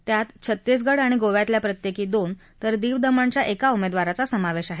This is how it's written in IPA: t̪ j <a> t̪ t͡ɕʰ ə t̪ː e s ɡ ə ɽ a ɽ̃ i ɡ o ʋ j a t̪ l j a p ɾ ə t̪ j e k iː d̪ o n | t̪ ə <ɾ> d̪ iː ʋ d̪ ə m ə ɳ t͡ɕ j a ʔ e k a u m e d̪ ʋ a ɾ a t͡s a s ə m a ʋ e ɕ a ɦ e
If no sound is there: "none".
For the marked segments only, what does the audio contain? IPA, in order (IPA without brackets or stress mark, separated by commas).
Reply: a, ɾ